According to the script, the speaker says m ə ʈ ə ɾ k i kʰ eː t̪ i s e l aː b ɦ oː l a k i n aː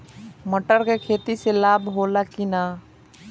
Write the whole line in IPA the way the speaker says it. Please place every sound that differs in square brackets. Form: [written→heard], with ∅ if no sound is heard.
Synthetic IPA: m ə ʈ ə ɾ k [i→e] kʰ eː t̪ i s e l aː b ɦ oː l a k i n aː